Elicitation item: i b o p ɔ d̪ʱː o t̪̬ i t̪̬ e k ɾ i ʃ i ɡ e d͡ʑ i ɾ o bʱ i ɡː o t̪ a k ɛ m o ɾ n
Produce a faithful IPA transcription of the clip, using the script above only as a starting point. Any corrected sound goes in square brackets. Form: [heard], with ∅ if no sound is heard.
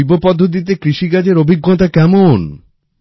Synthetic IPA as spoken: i b o p ɔ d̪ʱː o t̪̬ i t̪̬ e k ɾ i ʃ i ɡ [a] d͡ʑ [e] ɾ o bʱ i ɡː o t̪ a k ɛ m o [∅] n